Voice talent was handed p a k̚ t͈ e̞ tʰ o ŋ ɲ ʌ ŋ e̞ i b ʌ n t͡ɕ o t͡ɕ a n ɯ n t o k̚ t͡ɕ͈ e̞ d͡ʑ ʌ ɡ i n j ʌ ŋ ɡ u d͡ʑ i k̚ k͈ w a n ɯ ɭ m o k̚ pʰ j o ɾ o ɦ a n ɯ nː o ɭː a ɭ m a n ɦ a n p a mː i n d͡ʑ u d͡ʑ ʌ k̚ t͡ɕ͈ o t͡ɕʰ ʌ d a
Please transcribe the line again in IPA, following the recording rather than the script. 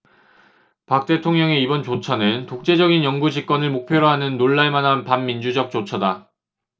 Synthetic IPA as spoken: p a k̚ t͈ e̞ tʰ o ŋ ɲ ʌ ŋ e̞ i b ʌ n t͡ɕ o t͡ɕʰ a n ɯ n t o k̚ t͡ɕ͈ e̞ d͡ʑ ʌ ɡ i n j ʌ ŋ ɡ u d͡ʑ i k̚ k͈ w ʌ n ɯ ɭ m o k̚ pʰ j o ɾ o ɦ a n ɯ nː o ɭː a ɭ m a n ɦ a n p a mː i n d͡ʑ u d͡ʑ ʌ k̚ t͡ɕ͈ o t͡ɕʰ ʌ d a